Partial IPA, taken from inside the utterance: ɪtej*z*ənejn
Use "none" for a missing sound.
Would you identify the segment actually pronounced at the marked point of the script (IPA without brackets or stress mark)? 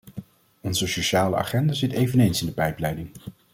v